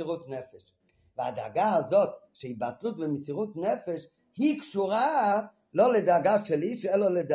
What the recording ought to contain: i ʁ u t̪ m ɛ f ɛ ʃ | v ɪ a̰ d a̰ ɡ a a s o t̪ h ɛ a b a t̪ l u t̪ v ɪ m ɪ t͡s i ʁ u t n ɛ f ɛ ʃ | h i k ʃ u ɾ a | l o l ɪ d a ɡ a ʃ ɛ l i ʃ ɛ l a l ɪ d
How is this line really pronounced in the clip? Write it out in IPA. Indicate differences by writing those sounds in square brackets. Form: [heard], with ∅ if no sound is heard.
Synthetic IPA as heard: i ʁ u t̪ [n] ɛ f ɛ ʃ | v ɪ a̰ d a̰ ɡ a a [z] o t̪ [ʃ] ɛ [i] b a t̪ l u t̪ v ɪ m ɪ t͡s i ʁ u t n ɛ f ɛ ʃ | h i k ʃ u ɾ a | l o l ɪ d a ɡ a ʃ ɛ l i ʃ ɛ l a l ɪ d